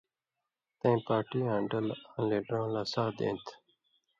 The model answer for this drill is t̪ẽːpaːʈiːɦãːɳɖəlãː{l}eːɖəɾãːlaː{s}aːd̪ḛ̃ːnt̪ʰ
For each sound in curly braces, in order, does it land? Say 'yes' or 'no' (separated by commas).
yes, yes